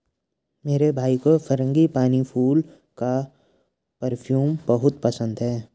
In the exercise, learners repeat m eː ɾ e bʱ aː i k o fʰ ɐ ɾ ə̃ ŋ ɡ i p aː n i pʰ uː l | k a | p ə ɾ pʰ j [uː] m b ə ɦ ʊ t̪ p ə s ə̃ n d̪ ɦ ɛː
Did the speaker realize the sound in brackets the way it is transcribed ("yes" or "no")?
yes